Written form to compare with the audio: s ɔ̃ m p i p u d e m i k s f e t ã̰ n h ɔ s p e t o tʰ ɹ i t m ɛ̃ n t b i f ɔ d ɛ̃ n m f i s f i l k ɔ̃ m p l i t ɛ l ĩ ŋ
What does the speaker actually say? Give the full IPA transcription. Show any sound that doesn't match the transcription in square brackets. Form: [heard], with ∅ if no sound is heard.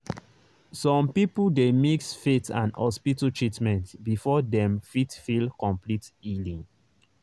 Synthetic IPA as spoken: s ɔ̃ m p i p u d e m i k s f e t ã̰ n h ɔ s p [i] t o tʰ ɹ i t m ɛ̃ n t b i f ɔ d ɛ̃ [∅] m f i [t] f i l k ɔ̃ m p l i t [i] l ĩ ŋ